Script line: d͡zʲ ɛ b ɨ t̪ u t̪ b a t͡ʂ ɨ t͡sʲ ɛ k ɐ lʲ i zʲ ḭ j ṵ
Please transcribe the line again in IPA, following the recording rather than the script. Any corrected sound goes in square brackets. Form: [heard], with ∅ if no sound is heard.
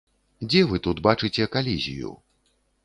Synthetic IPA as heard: d͡zʲ ɛ [v] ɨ t̪ u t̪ b a t͡ʂ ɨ t͡sʲ ɛ k [a] lʲ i zʲ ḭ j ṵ